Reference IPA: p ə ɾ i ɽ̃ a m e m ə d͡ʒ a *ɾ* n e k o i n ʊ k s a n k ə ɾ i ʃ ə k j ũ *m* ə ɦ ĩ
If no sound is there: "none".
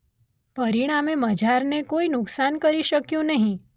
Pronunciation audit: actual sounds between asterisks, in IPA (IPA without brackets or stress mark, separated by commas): ɾ, n